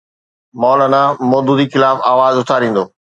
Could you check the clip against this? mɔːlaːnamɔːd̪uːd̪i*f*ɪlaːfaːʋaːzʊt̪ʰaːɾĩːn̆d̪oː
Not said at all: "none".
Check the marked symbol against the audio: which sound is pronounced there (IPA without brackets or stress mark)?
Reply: x